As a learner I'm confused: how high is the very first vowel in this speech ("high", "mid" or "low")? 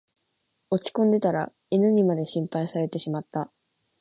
mid